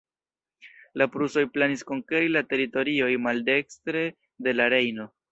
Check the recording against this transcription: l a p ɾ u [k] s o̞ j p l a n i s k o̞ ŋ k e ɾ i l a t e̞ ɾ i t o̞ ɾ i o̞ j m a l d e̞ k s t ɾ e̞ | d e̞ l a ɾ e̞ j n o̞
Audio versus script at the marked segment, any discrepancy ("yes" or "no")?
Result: yes